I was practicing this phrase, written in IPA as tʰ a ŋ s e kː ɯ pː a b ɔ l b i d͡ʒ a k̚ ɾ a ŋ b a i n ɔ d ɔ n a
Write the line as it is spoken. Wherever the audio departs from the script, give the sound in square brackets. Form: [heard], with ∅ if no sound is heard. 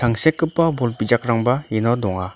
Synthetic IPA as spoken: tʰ a ŋ s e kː ɯ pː a b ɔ l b i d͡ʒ a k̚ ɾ a ŋ b a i n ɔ d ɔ [ŋ] a